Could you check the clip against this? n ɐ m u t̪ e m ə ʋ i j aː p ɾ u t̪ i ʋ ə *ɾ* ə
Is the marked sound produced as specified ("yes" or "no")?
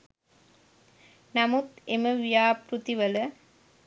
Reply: no